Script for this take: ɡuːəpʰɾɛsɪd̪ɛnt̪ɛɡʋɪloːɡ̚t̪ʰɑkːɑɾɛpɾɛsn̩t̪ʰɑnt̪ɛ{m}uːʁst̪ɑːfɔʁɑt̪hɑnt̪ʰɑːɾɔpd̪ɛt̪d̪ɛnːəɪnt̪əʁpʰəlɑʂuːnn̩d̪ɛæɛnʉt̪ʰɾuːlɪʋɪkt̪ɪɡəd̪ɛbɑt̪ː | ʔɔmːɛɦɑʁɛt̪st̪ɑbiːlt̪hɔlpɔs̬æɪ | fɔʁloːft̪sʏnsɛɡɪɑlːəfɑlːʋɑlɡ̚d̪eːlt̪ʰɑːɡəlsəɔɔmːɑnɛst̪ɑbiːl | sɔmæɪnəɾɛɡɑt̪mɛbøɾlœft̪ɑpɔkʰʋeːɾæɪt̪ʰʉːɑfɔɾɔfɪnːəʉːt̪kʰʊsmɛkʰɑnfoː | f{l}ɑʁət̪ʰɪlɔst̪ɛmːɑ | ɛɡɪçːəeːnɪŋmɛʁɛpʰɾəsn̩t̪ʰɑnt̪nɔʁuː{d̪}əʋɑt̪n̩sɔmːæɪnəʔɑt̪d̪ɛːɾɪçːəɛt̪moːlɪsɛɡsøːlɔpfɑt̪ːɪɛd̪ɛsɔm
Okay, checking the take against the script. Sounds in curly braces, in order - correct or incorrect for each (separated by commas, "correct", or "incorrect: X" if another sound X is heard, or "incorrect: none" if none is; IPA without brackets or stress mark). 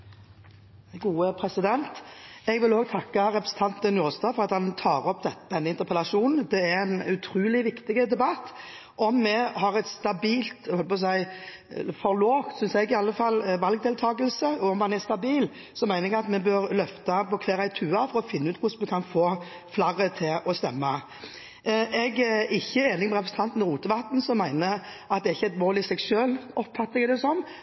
incorrect: n, correct, incorrect: t̪